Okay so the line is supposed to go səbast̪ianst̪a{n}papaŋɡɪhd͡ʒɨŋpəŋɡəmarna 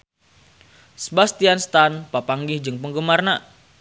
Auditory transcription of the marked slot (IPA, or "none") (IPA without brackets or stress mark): n